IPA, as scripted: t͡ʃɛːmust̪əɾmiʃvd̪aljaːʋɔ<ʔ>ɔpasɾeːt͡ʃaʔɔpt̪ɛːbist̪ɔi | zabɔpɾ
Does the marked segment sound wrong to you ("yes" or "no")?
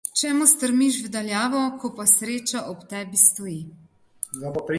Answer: yes